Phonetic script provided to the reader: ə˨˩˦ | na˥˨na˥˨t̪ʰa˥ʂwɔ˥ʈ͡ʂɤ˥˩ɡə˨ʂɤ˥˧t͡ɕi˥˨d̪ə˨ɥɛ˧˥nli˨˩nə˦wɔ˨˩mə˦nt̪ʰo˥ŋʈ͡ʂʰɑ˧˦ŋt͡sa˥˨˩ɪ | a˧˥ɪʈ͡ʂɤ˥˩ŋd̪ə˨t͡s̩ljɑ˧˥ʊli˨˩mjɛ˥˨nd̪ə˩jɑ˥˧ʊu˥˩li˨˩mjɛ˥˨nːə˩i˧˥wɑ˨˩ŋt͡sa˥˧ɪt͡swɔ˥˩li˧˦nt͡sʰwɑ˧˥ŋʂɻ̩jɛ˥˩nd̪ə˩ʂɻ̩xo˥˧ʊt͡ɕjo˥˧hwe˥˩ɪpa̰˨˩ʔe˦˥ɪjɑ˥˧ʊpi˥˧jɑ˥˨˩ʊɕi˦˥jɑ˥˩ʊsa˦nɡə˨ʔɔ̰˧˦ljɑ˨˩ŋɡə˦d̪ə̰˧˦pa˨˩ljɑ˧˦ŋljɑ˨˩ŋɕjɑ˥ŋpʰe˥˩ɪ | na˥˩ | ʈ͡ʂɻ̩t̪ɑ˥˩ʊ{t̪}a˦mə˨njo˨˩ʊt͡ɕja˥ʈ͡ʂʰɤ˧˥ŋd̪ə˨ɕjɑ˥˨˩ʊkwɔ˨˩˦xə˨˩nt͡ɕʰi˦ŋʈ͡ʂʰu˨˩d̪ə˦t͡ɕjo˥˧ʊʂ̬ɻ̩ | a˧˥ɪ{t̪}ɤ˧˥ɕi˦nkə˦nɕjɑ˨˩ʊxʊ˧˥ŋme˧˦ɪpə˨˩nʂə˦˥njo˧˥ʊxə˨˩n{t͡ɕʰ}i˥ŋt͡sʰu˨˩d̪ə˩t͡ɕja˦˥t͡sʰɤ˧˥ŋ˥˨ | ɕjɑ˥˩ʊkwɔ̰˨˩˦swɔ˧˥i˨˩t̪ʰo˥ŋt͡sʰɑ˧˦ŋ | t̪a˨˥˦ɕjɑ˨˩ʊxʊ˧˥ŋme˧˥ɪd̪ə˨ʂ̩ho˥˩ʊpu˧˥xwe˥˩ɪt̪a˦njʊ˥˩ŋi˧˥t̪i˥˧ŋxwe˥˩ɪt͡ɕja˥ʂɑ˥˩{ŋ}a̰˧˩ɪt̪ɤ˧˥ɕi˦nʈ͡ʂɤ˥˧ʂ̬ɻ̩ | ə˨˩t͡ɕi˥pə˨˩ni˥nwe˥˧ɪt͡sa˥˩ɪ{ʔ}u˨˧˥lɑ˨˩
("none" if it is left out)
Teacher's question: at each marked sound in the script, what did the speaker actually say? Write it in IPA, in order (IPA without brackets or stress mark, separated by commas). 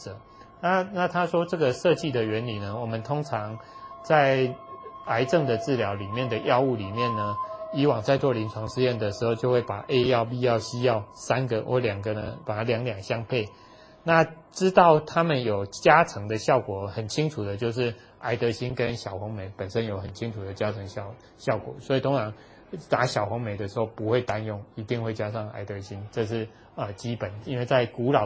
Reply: t̪ʰ, t̪, t͡ɕʰ, ŋ, k